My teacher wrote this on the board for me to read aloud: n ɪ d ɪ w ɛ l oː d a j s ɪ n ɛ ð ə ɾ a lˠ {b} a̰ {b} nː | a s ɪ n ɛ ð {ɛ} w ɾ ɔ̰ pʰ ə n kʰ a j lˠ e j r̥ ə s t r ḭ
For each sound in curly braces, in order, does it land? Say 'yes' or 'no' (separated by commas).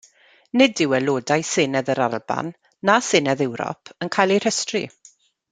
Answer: yes, no, yes